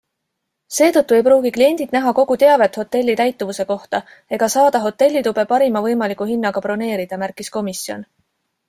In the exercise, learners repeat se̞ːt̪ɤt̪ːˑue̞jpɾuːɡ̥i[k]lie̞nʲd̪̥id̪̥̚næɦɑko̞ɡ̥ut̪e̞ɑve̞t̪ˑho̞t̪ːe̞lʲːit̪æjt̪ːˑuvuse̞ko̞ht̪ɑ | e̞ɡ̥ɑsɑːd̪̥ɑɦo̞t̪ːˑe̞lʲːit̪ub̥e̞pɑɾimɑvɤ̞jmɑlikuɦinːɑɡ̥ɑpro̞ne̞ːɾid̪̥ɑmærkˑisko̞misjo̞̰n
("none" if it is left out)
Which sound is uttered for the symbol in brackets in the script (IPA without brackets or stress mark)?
k